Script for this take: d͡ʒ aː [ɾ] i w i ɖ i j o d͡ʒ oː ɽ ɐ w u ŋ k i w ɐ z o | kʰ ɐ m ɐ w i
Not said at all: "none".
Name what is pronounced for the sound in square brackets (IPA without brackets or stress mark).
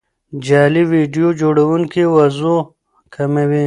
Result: l